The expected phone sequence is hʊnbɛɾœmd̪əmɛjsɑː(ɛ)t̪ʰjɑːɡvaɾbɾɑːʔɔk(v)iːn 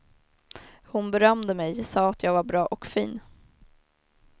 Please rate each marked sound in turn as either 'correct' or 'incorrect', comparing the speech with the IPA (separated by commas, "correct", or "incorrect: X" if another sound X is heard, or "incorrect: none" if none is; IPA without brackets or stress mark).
incorrect: a, incorrect: f